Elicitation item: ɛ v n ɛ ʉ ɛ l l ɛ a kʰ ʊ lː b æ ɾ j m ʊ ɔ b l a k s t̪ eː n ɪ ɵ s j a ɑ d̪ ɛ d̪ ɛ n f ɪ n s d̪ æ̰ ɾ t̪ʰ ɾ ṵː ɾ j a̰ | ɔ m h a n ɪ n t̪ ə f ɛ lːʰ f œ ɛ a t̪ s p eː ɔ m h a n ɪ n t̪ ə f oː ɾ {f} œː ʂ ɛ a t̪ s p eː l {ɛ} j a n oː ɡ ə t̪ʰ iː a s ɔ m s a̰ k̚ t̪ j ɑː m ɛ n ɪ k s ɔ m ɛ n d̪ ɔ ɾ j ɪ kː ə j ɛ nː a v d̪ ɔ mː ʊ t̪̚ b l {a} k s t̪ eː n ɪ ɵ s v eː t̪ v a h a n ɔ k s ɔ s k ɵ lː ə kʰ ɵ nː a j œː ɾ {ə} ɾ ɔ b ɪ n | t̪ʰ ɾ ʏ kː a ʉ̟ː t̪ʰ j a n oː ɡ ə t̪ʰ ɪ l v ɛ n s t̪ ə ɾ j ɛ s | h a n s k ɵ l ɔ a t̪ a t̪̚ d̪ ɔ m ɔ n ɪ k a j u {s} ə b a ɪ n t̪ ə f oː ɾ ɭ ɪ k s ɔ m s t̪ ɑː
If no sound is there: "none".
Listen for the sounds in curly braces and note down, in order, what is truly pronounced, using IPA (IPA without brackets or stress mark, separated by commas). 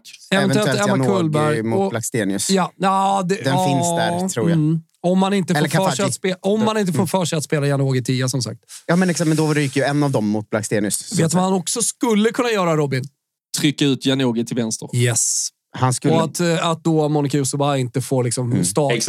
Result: f, a, a, a, s